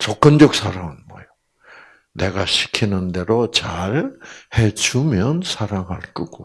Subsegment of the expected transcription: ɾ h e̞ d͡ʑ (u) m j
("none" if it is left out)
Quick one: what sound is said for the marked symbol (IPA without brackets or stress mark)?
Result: u